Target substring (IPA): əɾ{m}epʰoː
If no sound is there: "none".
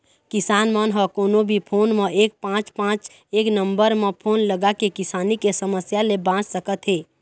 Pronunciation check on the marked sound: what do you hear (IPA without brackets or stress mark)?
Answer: m